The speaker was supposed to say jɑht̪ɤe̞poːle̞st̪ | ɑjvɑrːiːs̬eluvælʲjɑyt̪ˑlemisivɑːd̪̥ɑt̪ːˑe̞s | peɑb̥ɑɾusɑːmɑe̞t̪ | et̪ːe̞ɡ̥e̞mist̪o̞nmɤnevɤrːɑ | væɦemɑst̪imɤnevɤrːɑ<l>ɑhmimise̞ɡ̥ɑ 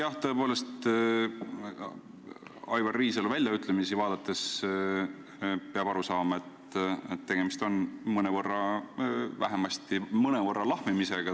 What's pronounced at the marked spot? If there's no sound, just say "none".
l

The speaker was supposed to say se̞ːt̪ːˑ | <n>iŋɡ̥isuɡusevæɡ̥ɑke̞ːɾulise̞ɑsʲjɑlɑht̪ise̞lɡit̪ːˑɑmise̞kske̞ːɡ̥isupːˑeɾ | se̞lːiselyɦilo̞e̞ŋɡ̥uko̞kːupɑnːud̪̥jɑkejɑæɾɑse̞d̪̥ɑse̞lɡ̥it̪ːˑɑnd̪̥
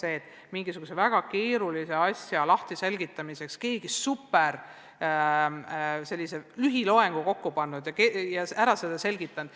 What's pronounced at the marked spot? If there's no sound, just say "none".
m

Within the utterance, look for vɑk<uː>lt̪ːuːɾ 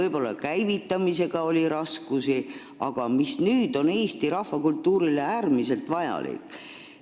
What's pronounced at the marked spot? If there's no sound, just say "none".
u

